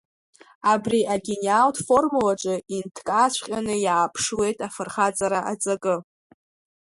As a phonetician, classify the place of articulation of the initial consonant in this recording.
labial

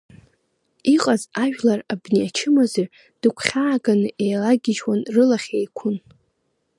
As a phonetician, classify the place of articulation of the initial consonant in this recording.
uvular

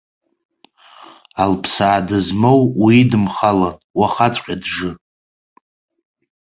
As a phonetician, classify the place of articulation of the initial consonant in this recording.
alveolar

